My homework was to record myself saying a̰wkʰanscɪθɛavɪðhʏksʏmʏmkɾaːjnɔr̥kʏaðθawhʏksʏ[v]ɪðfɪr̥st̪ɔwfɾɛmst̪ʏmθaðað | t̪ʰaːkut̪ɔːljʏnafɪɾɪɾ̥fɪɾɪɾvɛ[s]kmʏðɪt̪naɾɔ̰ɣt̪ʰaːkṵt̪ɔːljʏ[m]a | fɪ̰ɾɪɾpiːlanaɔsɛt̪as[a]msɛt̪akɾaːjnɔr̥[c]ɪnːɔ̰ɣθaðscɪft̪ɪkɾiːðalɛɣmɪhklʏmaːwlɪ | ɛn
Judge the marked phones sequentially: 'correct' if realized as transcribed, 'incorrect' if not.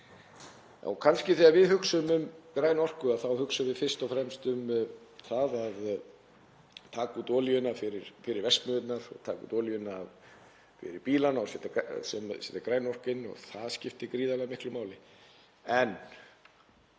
correct, correct, incorrect: n, incorrect: ɛ, incorrect: k

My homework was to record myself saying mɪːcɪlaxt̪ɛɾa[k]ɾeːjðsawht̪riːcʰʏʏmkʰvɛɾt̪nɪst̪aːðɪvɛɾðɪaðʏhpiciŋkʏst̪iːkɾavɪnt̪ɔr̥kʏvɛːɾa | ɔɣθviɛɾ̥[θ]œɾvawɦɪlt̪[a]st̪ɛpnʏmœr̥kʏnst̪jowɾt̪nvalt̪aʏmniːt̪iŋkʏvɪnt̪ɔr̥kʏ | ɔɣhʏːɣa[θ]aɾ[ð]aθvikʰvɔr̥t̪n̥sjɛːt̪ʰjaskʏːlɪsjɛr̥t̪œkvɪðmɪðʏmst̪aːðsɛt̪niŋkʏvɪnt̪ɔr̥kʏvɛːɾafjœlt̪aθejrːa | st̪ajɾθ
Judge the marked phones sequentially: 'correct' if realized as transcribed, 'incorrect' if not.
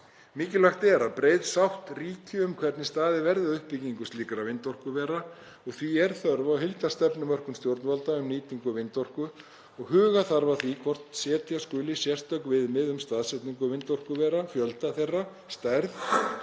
incorrect: p, correct, correct, correct, incorrect: v

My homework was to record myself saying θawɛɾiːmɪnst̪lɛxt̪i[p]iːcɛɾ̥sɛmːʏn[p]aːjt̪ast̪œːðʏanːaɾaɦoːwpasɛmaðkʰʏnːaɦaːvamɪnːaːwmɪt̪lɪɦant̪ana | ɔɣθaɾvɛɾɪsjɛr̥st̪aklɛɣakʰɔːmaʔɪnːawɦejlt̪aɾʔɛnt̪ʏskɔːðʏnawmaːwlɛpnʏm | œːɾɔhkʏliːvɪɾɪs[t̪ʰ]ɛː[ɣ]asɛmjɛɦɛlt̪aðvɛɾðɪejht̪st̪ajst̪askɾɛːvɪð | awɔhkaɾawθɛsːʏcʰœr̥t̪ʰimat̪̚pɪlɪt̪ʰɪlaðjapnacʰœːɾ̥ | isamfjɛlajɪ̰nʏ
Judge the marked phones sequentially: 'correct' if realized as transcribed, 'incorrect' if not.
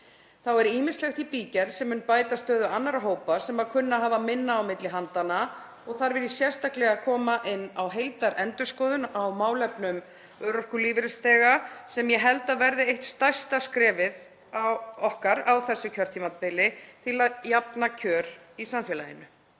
correct, correct, incorrect: t̪, correct

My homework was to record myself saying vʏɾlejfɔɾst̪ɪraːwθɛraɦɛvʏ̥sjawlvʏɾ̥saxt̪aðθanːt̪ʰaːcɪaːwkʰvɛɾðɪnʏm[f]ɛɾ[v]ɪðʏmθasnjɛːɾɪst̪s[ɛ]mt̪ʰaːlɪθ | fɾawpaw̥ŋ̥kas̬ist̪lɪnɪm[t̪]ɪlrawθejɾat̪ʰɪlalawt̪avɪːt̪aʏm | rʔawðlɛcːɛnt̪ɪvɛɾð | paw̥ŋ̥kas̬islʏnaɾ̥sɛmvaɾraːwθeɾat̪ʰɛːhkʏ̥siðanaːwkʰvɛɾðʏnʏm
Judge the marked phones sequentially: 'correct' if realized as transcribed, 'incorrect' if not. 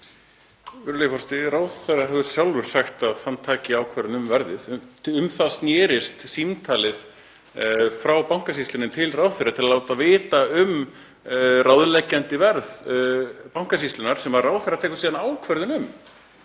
incorrect: v, incorrect: ð, incorrect: i, incorrect: t̪ʰ

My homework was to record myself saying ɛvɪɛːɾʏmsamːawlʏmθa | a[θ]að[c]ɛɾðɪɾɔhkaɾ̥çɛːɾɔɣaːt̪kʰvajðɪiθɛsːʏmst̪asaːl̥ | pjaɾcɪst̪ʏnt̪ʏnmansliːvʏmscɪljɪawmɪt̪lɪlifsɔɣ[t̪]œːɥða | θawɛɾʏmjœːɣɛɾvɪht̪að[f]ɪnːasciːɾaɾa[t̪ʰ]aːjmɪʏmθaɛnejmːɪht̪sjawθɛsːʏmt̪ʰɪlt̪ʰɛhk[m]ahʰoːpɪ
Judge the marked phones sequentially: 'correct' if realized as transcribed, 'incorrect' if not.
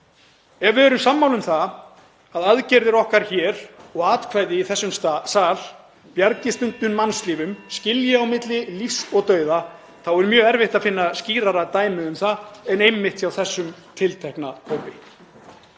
incorrect: ð, correct, correct, correct, incorrect: t̪, incorrect: n

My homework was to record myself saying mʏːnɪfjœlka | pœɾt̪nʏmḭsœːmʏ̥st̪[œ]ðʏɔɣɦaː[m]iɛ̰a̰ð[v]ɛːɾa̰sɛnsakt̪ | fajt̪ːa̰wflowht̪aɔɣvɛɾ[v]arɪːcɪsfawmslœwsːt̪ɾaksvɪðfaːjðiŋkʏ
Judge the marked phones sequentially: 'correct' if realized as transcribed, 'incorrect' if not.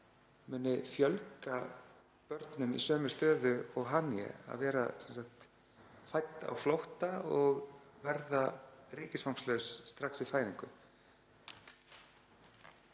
incorrect: œː, incorrect: n, correct, incorrect: ð

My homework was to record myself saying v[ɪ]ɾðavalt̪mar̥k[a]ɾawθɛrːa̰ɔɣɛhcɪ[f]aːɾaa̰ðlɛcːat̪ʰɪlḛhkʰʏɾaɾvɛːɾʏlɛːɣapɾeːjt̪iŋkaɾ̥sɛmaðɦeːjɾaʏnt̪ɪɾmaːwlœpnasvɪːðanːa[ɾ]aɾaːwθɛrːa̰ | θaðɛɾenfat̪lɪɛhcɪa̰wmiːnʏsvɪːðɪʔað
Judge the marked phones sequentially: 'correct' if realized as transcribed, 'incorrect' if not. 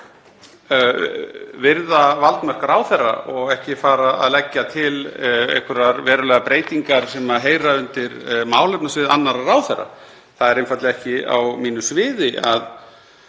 correct, correct, correct, correct

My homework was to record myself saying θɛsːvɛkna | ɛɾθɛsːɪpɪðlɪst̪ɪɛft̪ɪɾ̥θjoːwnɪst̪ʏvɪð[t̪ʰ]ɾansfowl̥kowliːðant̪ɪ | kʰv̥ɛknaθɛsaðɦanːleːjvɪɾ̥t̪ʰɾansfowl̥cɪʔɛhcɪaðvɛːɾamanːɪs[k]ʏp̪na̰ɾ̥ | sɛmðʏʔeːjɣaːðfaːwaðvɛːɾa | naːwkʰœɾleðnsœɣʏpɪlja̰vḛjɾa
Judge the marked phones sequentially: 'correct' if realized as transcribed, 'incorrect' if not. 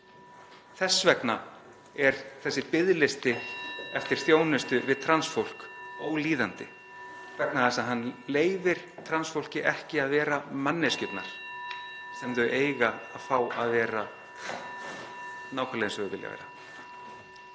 correct, incorrect: c

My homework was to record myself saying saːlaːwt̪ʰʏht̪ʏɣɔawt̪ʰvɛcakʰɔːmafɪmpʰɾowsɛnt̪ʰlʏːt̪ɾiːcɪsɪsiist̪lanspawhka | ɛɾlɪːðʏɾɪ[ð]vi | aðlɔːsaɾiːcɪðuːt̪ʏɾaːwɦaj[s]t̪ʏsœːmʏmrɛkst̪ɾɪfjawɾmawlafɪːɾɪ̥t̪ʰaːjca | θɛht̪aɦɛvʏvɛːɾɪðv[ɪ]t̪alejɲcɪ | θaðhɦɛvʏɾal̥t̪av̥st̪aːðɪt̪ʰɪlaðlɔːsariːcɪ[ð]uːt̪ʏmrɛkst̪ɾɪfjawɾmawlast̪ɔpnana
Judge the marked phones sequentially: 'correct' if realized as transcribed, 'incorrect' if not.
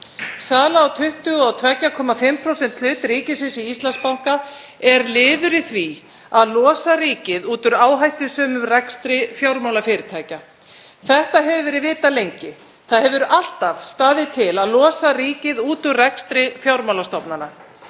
incorrect: θ, incorrect: h, incorrect: ɪː, correct

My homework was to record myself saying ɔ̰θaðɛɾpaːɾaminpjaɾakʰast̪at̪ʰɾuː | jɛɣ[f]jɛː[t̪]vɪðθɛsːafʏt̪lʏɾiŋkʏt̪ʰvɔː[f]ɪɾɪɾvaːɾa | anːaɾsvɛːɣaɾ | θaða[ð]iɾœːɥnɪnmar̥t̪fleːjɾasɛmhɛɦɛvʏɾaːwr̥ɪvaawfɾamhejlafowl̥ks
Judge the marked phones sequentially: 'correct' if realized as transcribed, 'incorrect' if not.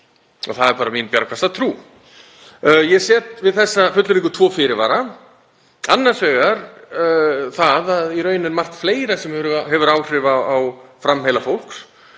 incorrect: s, correct, correct, correct

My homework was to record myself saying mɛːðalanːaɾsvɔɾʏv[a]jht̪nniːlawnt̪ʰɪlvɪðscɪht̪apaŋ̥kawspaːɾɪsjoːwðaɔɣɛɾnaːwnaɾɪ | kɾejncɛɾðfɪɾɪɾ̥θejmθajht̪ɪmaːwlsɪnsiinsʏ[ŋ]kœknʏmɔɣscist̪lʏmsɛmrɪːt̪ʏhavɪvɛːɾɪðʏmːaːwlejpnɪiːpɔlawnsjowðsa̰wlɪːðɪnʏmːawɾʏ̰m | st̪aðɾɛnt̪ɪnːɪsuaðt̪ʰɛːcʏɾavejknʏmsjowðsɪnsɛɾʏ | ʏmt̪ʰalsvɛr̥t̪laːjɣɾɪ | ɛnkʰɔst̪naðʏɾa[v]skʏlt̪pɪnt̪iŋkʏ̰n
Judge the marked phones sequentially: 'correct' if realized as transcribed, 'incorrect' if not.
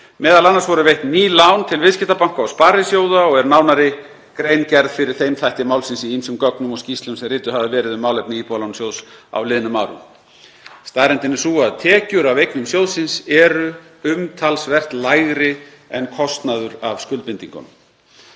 incorrect: e, incorrect: m, correct

